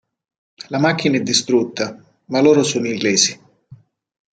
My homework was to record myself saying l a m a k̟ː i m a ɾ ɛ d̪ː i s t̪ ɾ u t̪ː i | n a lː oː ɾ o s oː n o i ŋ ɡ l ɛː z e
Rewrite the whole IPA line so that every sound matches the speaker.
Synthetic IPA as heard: l a m a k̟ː i n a ɛ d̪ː i s t̪ ɾ u t̪ː a | m a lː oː ɾ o s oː n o i ŋ ɡ l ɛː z i

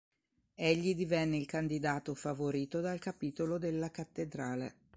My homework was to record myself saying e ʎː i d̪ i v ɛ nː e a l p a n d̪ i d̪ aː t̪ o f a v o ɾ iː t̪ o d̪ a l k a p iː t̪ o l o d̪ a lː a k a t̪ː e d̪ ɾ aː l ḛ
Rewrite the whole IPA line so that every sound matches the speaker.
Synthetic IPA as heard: e ʎː i d̪ i v ɛ nː e i l k a n d̪ i d̪ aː t̪ o f a v o ɾ iː t̪ o d̪ a l k a p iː t̪ o l o d̪ e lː a k a t̪ː e d̪ ɾ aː l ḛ

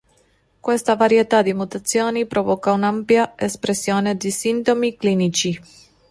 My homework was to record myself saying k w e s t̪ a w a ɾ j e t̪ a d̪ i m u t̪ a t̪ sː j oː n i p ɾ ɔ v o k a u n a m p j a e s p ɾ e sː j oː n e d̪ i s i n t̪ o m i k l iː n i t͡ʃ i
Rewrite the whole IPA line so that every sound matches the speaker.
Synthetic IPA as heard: k w e s t̪ a v a ɾ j e t̪ a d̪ i m u t̪ a t̪ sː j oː n i p ɾ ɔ v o k a u n a m p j a e s p ɾ e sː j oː n e d̪ i s i n t̪ o m i k l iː n i t͡ʃ i

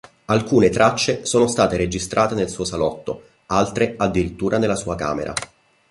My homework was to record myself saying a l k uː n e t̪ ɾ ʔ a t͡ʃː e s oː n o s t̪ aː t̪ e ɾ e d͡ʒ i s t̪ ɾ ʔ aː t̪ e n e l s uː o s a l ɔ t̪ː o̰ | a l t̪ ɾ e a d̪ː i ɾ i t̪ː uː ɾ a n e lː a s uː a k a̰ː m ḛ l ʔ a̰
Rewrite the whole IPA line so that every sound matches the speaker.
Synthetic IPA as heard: a l k uː n e t̪ ɾ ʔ a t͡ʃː e s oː n o s t̪ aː t̪ e ɾ e d͡ʒ i s t̪ ɾ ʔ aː t̪ e n e l s uː o s a l ɔ t̪ː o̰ | a l t̪ ɾ e a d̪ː i ɾ i t̪ː uː ɾ a n e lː a s uː a k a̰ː m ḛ ɾ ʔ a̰

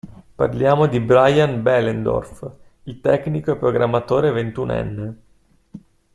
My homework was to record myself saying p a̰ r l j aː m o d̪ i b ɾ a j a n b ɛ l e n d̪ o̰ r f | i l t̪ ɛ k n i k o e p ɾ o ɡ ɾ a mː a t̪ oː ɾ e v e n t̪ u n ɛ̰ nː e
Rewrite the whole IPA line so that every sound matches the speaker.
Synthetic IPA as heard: p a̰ r l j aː m o d̪ i b ɾ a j a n b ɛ l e n d̪ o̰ r f | i l t̪ ɛ k n i k o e p ɾ o ɡ ɾ a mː a t̪ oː ɾ e v e n t̪ u n ɛ̰ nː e

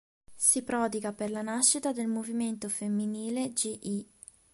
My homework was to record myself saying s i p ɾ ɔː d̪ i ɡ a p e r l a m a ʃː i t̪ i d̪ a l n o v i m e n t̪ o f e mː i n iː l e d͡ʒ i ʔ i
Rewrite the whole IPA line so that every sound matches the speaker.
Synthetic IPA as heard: s i p ɾ ɔː d̪ i ɡ a p e r l a n a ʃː i t̪ a d̪ e l m o v i m e n t̪ o f e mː i n iː l e d͡ʒ i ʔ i

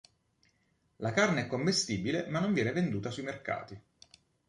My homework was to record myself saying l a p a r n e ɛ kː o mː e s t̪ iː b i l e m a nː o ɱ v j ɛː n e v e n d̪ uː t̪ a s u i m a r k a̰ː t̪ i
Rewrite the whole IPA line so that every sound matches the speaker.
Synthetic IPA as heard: l a k a r n e ɛ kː o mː e s t̪ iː b i l e m a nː o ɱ v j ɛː n e v e n d̪ uː t̪ a s u i m e r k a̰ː t̪ i

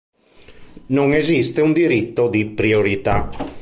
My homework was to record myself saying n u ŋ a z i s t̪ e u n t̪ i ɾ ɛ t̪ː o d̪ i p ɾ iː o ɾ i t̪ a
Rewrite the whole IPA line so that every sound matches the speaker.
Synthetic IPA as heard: n o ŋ e z i s t̪ e u n d̪ i ɾ i t̪ː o d̪ i p ɾ i o ɾ i t̪ a

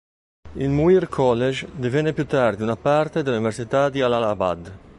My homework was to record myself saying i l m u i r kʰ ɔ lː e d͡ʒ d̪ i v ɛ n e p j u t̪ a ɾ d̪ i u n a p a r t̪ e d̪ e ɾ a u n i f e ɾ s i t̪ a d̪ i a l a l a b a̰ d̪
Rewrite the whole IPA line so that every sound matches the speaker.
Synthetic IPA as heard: i l m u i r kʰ ɔ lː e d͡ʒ d̪ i v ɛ n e p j u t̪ a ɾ d̪ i u n a p a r t̪ e d̪ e l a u n i v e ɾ s i t̪ a d̪ i a l a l a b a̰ d̪

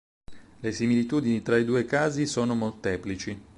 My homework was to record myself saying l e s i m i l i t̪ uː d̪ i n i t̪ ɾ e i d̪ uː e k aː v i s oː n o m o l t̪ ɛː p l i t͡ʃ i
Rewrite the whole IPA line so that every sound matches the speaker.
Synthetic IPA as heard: l e s i m i l i t̪ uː d̪ i n i t̪ ɾ a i d̪ uː e k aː z i s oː n o m o l t̪ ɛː p l i t͡ʃ i

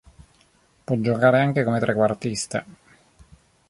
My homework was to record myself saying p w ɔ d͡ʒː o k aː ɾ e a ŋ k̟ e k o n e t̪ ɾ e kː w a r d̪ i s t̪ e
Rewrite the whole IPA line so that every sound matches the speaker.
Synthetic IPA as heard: p w ɔ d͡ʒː o k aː ɾ e a ŋ k̟ e k o m e t̪ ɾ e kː w a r t̪ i s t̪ e

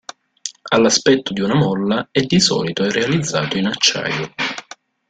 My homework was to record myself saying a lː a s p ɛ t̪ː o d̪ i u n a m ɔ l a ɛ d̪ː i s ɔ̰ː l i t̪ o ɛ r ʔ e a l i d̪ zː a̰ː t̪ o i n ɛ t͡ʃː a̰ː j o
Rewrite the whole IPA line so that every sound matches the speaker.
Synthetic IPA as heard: a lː a s p ɛ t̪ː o d̪ i u n a m ɔ lː a ɛ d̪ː i s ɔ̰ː l i t̪ o ɛ r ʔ e a l i d̪ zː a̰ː t̪ o i n a t͡ʃː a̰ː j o

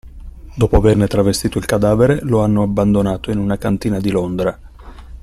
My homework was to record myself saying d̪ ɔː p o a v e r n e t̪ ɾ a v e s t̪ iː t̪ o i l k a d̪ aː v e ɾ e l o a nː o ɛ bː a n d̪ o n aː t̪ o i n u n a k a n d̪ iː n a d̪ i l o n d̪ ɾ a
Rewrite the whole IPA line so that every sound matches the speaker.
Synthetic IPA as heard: d̪ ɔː p o a v e r n e t̪ ɾ a v e s t̪ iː t̪ o i l k a d̪ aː v e ɾ e l o a nː o a bː a n d̪ o n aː t̪ o i n u n a k a n t̪ iː n a d̪ i l o n d̪ ɾ a

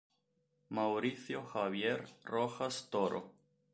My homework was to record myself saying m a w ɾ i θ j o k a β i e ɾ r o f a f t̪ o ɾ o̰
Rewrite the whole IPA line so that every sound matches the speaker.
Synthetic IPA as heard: m a w ɾ i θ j o x a β j e ɾ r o x a s t̪ o ɾ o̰

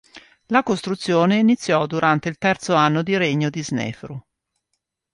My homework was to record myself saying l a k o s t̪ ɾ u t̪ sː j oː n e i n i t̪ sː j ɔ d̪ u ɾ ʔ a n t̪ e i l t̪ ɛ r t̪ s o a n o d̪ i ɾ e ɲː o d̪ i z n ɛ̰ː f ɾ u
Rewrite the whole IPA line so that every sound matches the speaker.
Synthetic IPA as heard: l a k o s t̪ ɾ u t̪ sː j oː n e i n i t̪ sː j ɔ d̪ u ɾ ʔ a n t̪ e i l t̪ ɛ r t̪ s o a nː o d̪ i ɾ e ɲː o d̪ i z n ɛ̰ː f ɾ u

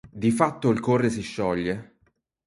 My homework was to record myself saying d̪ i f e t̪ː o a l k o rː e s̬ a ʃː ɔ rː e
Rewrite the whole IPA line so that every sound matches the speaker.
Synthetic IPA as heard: d̪ i f a t̪ː o i l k o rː e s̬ i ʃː ɔ ʎː e

